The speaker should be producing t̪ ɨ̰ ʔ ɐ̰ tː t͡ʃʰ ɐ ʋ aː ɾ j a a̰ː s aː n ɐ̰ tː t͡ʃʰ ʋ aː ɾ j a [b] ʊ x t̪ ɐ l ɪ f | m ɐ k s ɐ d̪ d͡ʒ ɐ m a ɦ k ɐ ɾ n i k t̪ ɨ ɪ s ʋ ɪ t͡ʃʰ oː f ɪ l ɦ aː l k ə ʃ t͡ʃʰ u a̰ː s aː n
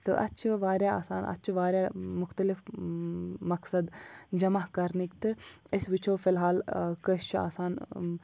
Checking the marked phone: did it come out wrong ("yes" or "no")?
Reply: yes